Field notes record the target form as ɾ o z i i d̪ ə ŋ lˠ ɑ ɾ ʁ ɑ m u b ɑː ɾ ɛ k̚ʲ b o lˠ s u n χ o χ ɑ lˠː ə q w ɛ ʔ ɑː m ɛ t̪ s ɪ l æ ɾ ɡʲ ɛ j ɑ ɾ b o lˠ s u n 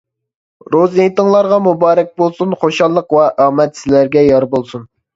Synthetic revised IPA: ɾ o z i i t̪ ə ŋ lˠ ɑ ɾ ʁ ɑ m u b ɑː ɾ ɛ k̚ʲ b o lˠ s u n χ o ʃ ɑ lˠː ə q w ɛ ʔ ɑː m ɛ t̪ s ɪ l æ ɾ ɡʲ ɛ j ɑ ɾ b o lˠ s u n